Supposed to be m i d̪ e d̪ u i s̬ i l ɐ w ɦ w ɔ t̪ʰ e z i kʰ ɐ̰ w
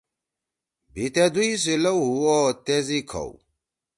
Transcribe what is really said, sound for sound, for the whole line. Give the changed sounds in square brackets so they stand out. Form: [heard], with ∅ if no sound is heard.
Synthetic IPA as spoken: [b] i [t̪] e d̪ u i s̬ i l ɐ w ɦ [u] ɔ [t̪] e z i kʰ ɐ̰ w